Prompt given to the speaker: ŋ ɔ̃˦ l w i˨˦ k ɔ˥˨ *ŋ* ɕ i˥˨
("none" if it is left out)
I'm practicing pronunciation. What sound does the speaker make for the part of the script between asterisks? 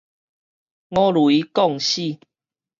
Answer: ŋ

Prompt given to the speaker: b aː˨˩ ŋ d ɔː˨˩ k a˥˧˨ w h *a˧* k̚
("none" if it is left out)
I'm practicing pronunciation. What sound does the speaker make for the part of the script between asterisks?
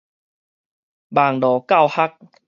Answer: a˦˥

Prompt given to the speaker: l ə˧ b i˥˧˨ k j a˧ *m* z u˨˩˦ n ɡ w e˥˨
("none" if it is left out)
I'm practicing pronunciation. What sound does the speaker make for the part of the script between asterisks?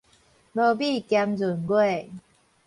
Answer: m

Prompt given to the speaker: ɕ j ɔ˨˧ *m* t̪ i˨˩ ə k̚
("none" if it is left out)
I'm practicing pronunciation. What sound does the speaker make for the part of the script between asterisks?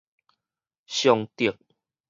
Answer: ŋ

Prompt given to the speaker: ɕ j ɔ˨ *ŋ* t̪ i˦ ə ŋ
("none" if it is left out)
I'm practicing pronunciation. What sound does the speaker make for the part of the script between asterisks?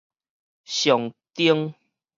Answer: ŋ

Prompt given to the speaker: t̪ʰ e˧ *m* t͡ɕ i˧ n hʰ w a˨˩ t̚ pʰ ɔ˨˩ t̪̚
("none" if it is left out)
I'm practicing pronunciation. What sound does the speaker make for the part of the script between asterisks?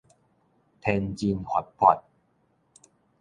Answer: n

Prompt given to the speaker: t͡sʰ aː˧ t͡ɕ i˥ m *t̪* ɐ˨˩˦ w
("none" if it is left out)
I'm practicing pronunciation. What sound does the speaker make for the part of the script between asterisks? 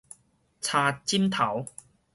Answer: t̪ʰ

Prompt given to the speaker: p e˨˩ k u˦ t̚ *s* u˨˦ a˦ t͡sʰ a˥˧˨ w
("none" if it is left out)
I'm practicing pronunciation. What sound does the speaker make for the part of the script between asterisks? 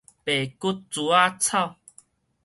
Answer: t͡s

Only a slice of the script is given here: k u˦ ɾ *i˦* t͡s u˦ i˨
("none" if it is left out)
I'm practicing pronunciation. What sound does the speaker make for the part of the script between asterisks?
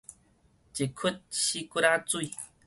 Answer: a˦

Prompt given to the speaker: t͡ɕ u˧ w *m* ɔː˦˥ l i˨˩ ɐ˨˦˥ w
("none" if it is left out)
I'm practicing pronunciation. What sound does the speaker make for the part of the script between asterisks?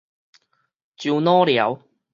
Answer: n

